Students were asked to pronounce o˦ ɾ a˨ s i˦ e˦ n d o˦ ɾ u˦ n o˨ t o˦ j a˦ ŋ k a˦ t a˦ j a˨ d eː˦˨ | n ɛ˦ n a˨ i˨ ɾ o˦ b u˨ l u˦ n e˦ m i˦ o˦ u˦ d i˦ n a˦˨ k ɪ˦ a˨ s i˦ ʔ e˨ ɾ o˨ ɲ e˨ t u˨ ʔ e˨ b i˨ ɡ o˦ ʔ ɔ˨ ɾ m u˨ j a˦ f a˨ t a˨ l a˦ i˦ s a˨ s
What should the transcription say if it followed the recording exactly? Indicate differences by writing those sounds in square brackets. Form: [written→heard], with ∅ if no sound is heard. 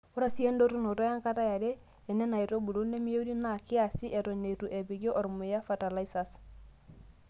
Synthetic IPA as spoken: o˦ ɾ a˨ s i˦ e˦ n d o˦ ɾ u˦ n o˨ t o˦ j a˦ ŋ k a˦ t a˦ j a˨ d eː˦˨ | n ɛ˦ n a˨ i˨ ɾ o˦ b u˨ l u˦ n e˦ m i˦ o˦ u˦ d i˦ n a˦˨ k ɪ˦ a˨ s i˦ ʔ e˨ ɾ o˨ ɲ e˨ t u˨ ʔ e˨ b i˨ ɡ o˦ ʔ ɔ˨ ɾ m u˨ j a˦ f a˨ t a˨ l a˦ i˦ s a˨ s